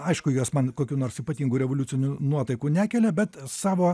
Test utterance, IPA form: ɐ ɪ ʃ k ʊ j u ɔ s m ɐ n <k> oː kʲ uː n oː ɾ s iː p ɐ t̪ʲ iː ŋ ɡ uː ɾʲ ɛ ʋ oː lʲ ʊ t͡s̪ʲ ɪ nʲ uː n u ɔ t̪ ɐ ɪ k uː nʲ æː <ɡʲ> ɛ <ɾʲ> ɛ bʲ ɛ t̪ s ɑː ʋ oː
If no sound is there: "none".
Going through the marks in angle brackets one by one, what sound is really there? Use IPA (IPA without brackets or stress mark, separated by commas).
k, kʲ, lʲ